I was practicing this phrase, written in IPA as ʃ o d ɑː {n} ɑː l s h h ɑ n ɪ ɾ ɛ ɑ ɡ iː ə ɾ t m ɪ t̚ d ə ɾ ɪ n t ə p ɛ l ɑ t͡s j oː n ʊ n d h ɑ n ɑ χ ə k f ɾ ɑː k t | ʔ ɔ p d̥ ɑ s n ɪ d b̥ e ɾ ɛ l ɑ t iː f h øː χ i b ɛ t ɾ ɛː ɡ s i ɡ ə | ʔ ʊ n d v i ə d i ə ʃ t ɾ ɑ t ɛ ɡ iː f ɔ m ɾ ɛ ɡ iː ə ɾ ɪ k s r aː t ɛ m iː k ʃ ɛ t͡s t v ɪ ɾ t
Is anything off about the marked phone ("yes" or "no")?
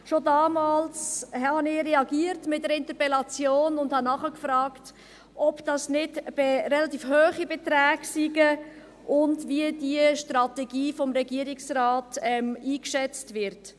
yes